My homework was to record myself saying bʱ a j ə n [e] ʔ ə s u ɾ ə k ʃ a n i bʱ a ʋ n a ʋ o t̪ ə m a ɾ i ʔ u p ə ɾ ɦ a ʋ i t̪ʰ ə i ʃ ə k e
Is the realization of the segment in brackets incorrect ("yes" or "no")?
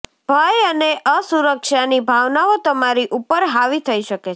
no